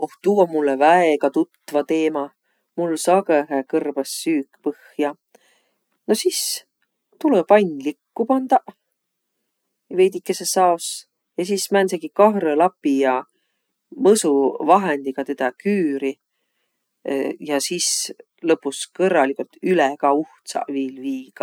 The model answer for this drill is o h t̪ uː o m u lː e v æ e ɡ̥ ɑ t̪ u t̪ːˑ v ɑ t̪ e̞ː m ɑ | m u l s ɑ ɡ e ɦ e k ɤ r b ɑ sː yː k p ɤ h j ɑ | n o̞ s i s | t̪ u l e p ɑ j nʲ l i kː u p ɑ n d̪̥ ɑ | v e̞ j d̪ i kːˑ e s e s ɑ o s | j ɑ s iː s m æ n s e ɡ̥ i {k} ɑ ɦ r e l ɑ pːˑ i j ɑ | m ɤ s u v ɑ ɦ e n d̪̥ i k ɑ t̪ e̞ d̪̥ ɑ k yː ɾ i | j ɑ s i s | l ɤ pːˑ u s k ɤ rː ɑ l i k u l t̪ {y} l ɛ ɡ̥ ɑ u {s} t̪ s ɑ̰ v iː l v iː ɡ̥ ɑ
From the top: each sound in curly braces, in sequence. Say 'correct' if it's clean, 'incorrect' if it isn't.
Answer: correct, correct, incorrect: h

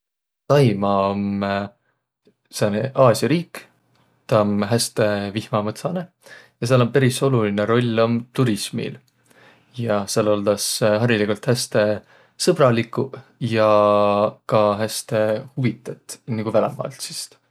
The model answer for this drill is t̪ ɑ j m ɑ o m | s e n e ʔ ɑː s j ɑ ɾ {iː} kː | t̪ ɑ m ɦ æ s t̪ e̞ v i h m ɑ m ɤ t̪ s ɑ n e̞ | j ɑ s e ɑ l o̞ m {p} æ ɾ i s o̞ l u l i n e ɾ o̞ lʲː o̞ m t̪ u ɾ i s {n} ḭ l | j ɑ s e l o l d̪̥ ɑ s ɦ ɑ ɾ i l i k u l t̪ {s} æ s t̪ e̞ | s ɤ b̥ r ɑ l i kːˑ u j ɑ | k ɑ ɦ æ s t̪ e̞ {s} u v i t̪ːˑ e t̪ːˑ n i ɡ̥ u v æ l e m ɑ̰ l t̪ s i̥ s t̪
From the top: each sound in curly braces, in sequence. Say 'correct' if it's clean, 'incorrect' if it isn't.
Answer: correct, correct, incorrect: m, incorrect: h, incorrect: h

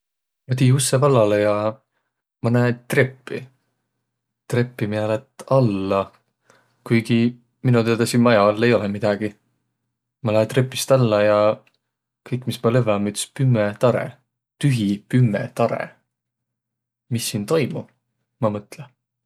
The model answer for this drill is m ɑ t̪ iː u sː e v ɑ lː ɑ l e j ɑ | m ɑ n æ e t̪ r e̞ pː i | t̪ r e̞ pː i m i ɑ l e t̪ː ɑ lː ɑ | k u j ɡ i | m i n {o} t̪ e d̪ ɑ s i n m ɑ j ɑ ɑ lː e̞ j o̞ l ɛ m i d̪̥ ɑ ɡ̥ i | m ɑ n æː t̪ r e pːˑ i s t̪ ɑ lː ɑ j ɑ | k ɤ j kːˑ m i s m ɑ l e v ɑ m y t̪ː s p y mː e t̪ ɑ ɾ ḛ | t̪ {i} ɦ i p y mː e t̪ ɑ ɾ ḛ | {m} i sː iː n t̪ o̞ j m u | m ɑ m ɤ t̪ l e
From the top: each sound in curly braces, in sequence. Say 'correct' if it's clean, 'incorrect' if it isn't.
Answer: incorrect: u, incorrect: y, correct

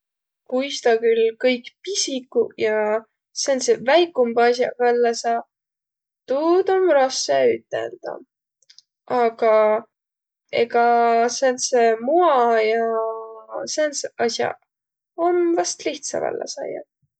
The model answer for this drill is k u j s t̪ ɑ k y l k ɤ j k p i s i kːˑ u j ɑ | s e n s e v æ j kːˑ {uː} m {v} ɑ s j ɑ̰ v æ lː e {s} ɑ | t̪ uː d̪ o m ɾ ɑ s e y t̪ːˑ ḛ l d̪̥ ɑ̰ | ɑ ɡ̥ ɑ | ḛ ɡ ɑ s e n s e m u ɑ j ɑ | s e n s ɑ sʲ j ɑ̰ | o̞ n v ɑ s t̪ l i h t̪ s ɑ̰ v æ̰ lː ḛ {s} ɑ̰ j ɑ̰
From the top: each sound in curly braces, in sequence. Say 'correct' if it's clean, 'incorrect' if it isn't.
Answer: incorrect: u, incorrect: b, correct, correct

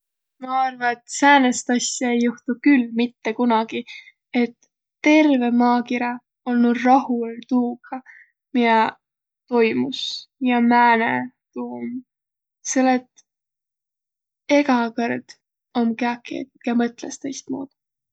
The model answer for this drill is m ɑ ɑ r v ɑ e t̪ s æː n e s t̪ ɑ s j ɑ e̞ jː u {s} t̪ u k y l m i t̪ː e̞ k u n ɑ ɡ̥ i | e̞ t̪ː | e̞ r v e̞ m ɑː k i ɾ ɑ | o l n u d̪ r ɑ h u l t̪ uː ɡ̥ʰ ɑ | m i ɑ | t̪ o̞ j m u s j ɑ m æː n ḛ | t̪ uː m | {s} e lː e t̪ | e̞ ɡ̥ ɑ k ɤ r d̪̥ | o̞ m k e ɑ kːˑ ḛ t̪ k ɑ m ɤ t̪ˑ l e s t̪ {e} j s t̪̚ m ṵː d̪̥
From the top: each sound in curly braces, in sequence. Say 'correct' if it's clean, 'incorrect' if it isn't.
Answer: incorrect: h, correct, correct

